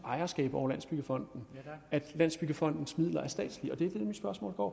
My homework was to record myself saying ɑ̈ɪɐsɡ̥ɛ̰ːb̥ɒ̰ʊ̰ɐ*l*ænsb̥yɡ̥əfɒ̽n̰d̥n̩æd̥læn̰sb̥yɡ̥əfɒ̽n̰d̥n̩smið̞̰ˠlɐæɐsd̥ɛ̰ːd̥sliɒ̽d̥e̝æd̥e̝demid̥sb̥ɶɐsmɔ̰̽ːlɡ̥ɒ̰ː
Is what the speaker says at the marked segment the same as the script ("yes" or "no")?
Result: yes